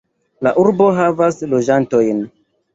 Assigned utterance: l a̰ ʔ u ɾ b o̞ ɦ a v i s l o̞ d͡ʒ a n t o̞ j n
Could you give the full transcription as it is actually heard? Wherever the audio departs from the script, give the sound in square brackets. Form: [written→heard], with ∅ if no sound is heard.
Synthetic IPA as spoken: l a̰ ʔ u ɾ b o̞ ɦ a v [i→a] s l o̞ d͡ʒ a n t o̞ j n